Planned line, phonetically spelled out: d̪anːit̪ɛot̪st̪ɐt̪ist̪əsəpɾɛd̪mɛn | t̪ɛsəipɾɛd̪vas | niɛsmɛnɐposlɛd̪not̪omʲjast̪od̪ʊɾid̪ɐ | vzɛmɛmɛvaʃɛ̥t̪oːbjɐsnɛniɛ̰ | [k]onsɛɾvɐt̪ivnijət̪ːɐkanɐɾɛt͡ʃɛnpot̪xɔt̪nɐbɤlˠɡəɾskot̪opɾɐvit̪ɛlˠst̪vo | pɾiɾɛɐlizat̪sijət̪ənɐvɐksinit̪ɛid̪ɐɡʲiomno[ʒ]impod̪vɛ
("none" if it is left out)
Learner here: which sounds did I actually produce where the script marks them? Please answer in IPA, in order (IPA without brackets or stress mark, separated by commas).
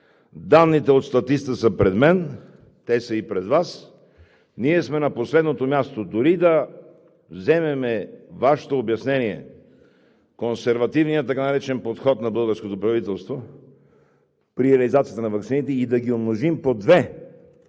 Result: k, ʒ